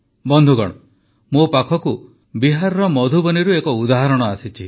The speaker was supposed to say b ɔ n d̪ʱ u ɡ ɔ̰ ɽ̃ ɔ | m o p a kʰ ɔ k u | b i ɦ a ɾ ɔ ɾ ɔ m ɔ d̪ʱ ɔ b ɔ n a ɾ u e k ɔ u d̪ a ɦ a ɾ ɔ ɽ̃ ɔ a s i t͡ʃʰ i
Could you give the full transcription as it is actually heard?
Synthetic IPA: b ɔ n d̪ʱ u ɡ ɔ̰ ɽ̃ ɔ | m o p a kʰ ɔ k u | b i ɦ a ɾ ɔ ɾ ɔ m ɔ d̪ʱ u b ɔ n i ɾ u e k ɔ u d̪ a ɦ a ɾ ɔ ɽ̃ ɔ a s i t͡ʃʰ i